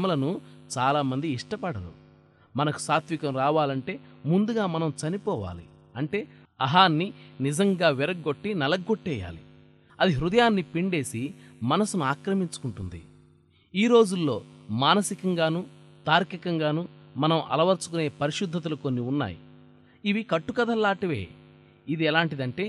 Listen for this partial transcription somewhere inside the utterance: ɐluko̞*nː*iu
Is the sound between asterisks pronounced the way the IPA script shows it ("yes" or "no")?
yes